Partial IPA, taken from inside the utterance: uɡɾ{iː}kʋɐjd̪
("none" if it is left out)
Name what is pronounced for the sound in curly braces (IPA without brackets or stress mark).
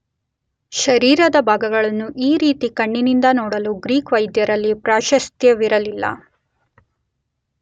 iː